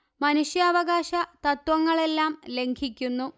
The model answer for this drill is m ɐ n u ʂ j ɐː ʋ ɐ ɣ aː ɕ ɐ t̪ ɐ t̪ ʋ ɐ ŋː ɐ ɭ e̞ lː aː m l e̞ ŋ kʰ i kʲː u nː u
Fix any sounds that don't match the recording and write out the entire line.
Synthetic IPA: m ɐ n u ʂ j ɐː ʋ ɐ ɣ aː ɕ ɐ t̪ ɐ t̪ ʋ ɐ ŋː ɐ ɭ e̞ lː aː m l e̞ ŋ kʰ i kʲː u nː u